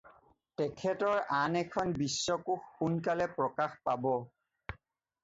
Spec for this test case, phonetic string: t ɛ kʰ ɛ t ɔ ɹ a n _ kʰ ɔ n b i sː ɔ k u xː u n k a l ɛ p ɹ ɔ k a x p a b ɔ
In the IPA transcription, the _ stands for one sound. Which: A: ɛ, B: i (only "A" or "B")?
A